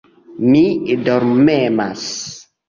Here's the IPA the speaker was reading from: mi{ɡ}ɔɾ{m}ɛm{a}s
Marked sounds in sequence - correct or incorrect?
incorrect: d, correct, correct

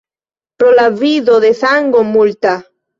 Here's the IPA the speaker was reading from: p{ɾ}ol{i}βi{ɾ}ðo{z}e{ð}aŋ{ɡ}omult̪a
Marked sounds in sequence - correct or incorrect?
correct, incorrect: a, incorrect: none, incorrect: ð, incorrect: θ, correct

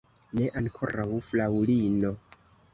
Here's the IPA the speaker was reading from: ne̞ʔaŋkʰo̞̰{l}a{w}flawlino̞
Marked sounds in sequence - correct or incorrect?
incorrect: ɾ, correct

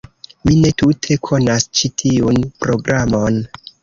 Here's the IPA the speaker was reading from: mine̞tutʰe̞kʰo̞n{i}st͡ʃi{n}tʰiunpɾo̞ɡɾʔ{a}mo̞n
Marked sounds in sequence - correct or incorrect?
incorrect: a, incorrect: none, correct

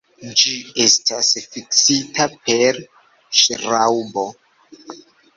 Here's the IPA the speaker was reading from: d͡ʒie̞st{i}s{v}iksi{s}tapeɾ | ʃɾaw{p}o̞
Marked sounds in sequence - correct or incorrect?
incorrect: a, incorrect: f, incorrect: none, incorrect: b

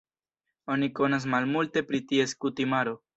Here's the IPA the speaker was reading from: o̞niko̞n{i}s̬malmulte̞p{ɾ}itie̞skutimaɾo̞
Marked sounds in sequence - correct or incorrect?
incorrect: a, correct

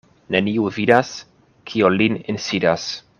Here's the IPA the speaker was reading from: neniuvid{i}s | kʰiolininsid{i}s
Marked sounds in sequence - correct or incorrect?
incorrect: a, incorrect: a

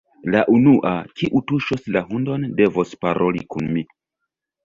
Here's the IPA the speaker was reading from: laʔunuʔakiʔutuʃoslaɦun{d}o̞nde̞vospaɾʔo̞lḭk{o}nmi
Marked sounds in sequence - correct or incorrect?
correct, incorrect: u

